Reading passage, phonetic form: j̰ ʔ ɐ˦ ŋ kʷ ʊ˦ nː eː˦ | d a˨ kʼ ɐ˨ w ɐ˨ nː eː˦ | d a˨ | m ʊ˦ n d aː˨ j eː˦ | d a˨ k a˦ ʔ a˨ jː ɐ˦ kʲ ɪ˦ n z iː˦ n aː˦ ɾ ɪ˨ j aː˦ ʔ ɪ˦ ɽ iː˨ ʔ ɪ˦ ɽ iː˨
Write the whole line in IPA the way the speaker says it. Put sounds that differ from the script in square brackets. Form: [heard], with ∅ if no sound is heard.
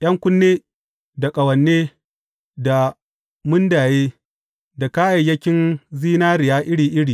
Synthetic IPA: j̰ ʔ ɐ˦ ŋ kʷ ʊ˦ nː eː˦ | d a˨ kʼ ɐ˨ w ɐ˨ nː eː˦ | d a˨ | m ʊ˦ n d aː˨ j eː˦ | d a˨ k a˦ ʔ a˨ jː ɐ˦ kʲ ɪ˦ n z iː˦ n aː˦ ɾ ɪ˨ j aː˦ ʔ ɪ˦ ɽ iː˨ ʔ ɪ˦ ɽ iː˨